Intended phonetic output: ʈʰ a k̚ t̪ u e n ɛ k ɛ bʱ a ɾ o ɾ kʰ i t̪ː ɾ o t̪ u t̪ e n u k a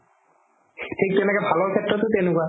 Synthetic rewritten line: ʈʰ i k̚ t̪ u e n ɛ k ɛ bʱ a l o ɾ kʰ e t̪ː ɾ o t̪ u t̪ e n u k a